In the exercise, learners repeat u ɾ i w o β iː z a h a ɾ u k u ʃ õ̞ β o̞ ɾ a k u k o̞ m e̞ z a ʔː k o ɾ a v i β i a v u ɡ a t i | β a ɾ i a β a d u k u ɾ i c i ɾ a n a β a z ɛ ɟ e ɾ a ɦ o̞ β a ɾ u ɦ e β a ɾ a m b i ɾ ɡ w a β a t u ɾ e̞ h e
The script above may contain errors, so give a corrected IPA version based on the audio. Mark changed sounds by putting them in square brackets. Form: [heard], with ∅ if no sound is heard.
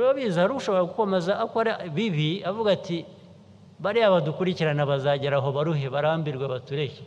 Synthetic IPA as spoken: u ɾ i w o β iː z a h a ɾ u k u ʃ [o̞] β o̞ ɾ a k u k o̞ m e̞ z a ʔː k o ɾ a [β] i β i a v u ɡ a t i | β a ɾ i a β a d u k u ɾ i c i ɾ a n a β a z [a] ɟ e ɾ a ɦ o̞ β a ɾ u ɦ e β a ɾ a m b i ɾ ɡ w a β a t u ɾ e̞ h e